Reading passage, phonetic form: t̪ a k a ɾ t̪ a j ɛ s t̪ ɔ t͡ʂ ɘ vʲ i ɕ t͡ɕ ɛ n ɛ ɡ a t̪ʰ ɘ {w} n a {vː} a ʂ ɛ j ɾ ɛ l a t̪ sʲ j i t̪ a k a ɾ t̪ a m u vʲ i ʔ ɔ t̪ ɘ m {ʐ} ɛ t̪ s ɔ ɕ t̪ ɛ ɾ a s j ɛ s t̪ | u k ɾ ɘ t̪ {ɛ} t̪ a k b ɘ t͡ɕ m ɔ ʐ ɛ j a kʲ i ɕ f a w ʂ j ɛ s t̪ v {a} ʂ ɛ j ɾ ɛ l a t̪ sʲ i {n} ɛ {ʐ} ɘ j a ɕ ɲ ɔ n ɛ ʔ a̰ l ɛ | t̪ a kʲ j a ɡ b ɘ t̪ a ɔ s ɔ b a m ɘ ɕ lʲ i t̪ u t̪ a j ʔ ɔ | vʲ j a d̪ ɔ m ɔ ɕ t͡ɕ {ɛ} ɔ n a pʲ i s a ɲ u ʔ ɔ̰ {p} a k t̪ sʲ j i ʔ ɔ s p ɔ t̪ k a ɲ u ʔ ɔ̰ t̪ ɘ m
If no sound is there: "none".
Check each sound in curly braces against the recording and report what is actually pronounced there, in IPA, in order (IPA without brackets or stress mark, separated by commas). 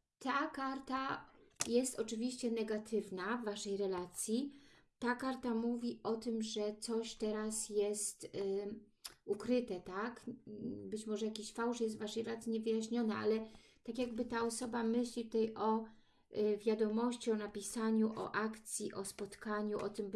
v, vː, ʐ, ɛ, a, ɲ, v, i, ʔ